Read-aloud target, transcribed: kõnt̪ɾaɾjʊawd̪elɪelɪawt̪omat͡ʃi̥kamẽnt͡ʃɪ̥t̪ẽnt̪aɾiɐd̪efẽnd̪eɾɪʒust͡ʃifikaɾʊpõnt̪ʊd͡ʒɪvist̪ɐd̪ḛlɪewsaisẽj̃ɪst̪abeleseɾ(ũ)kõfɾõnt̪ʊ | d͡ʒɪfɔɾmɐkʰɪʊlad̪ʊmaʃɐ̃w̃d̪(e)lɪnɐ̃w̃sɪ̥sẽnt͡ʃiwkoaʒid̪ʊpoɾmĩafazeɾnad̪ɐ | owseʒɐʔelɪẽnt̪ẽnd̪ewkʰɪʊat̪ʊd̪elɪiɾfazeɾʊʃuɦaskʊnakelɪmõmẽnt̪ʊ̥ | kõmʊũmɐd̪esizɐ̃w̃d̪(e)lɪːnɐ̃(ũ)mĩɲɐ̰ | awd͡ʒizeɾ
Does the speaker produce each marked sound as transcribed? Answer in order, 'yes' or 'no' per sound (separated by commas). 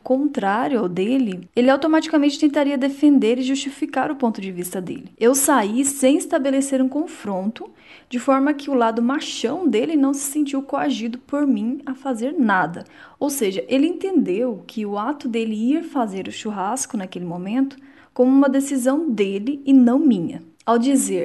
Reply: yes, yes, yes, no